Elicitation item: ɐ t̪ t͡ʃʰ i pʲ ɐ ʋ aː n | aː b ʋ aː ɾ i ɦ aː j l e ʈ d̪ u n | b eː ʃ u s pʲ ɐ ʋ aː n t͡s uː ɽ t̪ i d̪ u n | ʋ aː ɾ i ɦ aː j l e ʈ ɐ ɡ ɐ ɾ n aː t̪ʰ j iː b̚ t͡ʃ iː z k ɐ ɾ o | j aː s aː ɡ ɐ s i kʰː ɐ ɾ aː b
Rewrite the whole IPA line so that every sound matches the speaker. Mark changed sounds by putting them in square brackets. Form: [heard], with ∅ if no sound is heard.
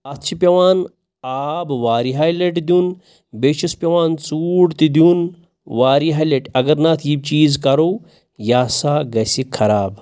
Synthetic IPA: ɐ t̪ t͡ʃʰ i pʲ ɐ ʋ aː n | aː b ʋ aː ɾ i ɦ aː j l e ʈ d̪ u n | b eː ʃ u s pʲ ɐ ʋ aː n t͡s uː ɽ t̪ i d̪ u n | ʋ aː ɾ i ɦ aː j l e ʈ ɐ ɡ ɐ ɾ n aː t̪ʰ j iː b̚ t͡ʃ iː z k ɐ ɾ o | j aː s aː ɡ ɐ s i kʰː ɐ ɾ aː b